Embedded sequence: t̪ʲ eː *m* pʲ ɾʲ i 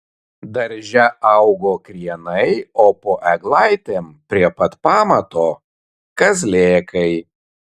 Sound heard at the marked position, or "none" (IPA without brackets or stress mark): m